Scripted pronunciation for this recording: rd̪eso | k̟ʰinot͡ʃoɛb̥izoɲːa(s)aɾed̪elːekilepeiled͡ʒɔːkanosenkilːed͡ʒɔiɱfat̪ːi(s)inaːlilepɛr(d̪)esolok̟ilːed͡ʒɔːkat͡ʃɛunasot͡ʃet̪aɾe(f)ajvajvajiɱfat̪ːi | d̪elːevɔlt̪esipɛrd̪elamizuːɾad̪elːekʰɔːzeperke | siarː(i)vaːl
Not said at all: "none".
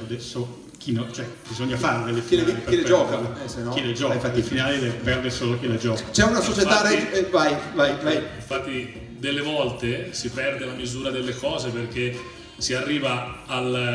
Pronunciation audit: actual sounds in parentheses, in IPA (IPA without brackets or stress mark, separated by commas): f, f, d̪, v, iː